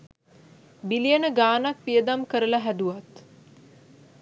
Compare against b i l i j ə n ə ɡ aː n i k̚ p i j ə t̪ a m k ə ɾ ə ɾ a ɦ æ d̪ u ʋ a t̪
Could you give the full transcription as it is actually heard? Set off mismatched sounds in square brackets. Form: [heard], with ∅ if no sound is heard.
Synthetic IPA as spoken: b i l i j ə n ə ɡ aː n [a] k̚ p i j ə [d̪] a m k ə ɾ ə [l] a ɦ æ d̪ u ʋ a t̪